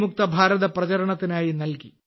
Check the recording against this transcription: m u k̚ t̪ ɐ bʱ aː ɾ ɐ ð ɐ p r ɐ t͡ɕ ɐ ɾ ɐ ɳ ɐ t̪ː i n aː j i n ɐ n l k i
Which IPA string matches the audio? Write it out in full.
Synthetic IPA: m u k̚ t̪ ɐ bʱ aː ɾ ɐ ð ɐ p r ɐ t͡ɕ ɐ ɾ ɐ ɳ ɐ t̪ː i n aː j i n ɐ l k i